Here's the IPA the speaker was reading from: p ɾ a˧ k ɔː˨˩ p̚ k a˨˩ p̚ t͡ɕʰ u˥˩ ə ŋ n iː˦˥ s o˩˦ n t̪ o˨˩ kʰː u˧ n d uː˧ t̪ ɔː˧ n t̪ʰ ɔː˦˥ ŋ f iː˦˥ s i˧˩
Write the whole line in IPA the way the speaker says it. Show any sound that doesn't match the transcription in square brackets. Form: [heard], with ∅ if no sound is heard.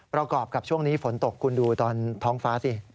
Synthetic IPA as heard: p ɾ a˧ k ɔː˨˩ p̚ k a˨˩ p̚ t͡ɕʰ u˥˩ ə ŋ n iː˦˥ [f] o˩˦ n t̪ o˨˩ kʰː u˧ n d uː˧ t̪ ɔː˧ n t̪ʰ ɔː˦˥ ŋ f [aː˦˥] s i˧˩